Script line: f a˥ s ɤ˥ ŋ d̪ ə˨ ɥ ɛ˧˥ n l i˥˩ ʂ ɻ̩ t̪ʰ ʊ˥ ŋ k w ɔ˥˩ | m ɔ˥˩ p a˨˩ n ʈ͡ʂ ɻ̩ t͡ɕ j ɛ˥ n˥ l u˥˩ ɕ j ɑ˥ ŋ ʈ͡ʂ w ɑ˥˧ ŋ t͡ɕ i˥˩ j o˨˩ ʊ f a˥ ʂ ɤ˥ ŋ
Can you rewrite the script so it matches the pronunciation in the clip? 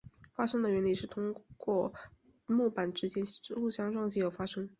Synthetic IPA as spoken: f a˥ ʂ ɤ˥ ŋ d̪ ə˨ ɥ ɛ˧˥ n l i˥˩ ʂ ɻ̩ t̪ʰ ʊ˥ ŋ k w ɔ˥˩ | m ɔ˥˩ p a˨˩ n ʈ͡ʂ ɻ̩ t͡ɕ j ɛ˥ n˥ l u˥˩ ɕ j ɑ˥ ŋ ʈ͡ʂ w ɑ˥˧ ŋ t͡ɕ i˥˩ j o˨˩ ʊ f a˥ ʂ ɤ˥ ŋ